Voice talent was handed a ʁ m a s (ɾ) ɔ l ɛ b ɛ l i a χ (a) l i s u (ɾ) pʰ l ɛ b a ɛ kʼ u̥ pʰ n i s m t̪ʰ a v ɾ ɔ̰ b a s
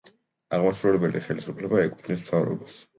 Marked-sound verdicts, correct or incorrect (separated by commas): correct, incorrect, incorrect